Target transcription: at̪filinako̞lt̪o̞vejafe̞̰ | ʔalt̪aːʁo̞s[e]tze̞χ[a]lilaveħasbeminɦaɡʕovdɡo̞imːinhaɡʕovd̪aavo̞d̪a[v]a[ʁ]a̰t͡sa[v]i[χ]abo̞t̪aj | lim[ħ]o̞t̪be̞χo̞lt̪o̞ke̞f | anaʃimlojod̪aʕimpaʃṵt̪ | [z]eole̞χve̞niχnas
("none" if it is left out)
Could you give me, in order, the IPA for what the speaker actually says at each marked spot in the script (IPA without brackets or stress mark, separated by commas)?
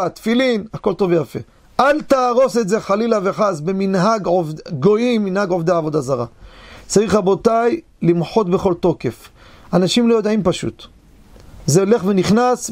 e, a, z, ʁ, ʁ, χ, ħ, z